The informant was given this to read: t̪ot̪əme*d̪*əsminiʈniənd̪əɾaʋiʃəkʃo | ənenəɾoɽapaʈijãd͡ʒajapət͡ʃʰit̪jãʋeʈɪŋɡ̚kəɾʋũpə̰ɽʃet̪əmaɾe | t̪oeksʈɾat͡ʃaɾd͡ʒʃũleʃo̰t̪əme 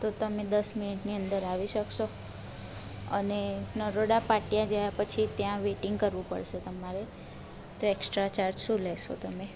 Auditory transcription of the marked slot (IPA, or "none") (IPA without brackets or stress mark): d̪